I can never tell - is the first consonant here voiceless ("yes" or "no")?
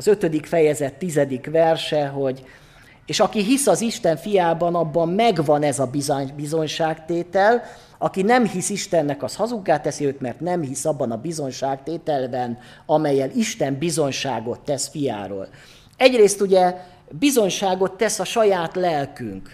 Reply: no